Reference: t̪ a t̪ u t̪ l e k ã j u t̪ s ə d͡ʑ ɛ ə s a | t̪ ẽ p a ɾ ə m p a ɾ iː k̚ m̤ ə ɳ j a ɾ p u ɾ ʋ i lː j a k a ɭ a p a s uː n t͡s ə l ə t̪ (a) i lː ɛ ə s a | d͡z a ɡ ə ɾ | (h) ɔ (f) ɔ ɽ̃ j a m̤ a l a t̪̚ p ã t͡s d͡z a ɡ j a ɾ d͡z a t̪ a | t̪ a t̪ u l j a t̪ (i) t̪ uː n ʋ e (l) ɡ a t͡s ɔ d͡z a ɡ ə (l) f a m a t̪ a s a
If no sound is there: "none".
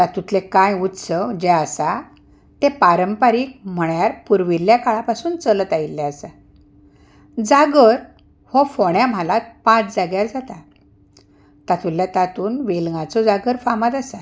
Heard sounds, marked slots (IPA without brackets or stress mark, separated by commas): a, h, f, a, l, ɾ